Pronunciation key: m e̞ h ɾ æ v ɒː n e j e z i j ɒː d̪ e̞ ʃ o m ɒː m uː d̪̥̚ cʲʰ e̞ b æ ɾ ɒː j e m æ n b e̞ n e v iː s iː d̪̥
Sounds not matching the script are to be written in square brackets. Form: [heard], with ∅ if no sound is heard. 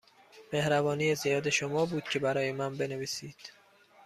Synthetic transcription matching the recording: m e̞ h ɾ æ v ɒː n [i] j e z i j ɒː d̪ e̞ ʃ o m ɒː [b] uː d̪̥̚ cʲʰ e̞ b æ ɾ ɒː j e m æ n b e̞ n e v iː s iː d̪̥